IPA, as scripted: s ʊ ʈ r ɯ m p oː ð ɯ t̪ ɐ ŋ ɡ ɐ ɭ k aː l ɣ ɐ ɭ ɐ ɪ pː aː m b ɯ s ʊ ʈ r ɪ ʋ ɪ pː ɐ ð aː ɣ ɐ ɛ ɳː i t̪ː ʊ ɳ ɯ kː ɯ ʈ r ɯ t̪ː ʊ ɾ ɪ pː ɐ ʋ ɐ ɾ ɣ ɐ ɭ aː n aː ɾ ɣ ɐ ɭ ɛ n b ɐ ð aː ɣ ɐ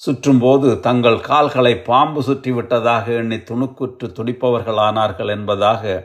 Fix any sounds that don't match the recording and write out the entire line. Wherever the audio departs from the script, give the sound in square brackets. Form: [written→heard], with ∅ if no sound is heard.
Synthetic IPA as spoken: s ʊ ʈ r ɯ m p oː ð ɯ t̪ ɐ ŋ ɡ ɐ ɭ k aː l ɣ ɐ ɭ ɐ ɪ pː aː m b ɯ s ʊ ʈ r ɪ ʋ ɪ [pː→ʈː] ɐ ð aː ɣ ɐ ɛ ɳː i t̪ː ʊ ɳ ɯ kː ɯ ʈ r ɯ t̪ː ʊ [ɾ→ɽ] ɪ pː ɐ ʋ ɐ ɾ ɣ ɐ ɭ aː n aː ɾ ɣ ɐ ɭ ɛ n b ɐ ð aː ɣ ɐ